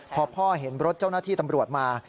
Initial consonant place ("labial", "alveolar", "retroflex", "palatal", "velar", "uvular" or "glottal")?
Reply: labial